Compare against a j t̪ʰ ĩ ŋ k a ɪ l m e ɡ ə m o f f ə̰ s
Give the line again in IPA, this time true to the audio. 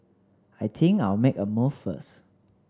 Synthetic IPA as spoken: a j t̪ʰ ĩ ŋ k a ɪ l m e k ə m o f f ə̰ s